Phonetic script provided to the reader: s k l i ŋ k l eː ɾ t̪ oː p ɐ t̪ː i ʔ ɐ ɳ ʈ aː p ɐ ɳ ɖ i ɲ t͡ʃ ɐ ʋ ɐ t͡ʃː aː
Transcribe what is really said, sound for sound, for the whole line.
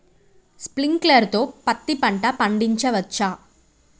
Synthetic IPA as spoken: s p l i ŋ k l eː ɾ t̪ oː p ɐ t̪ː i p ɐ ɳ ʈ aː p ɐ ɳ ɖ i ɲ t͡ʃ ɐ ʋ ɐ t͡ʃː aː